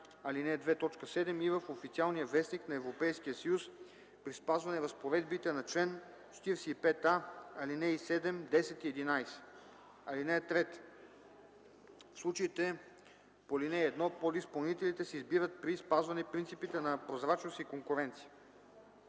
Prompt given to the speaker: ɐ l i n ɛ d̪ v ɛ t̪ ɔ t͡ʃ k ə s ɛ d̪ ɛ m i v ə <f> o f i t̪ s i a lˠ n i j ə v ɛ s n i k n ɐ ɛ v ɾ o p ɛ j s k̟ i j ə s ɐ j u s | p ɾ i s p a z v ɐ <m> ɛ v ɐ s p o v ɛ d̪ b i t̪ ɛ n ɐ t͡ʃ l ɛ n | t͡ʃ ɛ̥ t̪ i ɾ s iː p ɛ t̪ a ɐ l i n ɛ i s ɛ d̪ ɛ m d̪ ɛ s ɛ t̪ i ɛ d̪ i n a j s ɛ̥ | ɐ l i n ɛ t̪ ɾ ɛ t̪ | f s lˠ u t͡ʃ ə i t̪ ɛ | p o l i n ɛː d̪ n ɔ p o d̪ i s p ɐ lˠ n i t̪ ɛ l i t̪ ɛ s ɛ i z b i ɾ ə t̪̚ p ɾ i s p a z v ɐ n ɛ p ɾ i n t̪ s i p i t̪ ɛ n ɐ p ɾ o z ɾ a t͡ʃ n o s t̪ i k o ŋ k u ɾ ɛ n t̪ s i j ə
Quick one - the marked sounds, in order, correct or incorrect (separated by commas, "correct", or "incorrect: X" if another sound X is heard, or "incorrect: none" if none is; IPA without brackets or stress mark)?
correct, incorrect: n